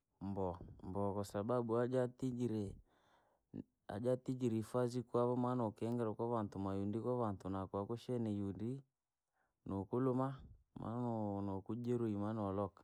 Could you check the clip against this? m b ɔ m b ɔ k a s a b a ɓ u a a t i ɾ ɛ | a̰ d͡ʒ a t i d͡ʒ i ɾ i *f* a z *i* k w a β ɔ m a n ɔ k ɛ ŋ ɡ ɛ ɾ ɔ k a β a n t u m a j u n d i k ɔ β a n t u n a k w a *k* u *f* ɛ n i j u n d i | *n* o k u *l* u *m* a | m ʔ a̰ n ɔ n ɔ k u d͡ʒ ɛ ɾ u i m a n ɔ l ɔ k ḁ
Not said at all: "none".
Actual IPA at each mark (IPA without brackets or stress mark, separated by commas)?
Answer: f, i, k, ʃ, n, l, m